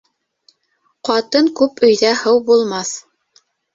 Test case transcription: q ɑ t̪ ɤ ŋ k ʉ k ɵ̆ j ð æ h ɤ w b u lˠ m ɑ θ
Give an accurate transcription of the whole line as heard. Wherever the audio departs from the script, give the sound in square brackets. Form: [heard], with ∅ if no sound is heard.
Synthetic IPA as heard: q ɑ t̪ ɤ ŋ k ʉ [p] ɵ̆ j ð æ h ɤ w b u lˠ m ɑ θ